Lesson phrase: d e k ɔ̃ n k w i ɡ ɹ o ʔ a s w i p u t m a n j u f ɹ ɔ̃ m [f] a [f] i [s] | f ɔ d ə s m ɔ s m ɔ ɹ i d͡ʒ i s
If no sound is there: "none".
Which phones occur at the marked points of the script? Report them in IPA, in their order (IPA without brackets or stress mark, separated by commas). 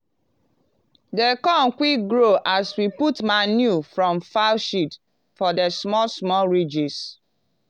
f, ʃ, t